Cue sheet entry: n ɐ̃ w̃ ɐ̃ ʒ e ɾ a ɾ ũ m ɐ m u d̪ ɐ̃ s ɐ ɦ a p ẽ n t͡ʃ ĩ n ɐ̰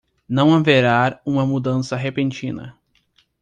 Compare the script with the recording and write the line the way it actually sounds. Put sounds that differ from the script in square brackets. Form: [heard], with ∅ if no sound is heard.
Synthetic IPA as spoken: n ɐ̃ w̃ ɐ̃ [v] e ɾ a ɾ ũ m ɐ m u d̪ ɐ̃ s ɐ ɦ [e] p ẽ n t͡ʃ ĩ n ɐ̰